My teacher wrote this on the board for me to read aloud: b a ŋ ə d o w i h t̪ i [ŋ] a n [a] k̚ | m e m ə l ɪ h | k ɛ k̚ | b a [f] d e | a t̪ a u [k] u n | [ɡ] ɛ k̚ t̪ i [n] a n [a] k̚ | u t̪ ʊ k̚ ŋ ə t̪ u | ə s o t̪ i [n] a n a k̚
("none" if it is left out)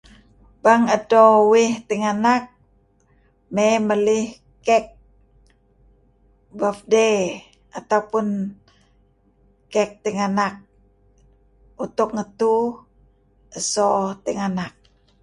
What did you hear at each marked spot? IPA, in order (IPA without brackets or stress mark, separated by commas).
ŋ, a, f, p, k, ŋ, a, ŋ